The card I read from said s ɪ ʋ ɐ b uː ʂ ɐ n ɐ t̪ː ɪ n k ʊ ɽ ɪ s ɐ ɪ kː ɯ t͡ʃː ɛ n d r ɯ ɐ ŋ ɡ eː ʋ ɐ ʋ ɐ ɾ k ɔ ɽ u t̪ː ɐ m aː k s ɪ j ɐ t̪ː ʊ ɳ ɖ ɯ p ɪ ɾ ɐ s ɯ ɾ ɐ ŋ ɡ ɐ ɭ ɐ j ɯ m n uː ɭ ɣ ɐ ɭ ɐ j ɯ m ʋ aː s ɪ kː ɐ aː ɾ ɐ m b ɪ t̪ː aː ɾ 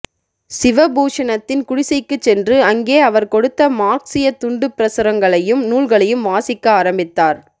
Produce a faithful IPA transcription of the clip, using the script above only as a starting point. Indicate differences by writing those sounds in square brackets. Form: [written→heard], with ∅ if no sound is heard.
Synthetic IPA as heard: s ɪ ʋ ɐ b uː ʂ ɐ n ɐ t̪ː ɪ n k ʊ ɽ ɪ s ɐ ɪ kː ɯ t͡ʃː ɛ n d r ɯ ɐ ŋ ɡ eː [ʋ→∅] ɐ ʋ ɐ ɾ k ɔ ɽ [u→ɯ] t̪ː ɐ m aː k s ɪ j ɐ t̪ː ʊ ɳ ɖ ɯ p ɪ ɾ ɐ s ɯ ɾ ɐ ŋ ɡ ɐ ɭ ɐ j ɯ m n uː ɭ ɣ ɐ ɭ ɐ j ɯ m ʋ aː s ɪ kː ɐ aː ɾ ɐ m b ɪ t̪ː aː ɾ